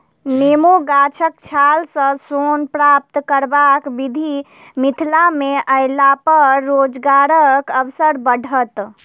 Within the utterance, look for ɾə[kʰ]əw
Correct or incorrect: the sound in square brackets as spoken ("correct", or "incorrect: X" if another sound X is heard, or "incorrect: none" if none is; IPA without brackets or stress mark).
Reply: incorrect: k